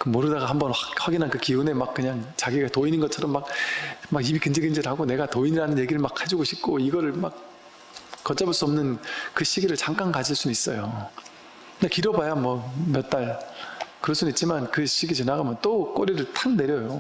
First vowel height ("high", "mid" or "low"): high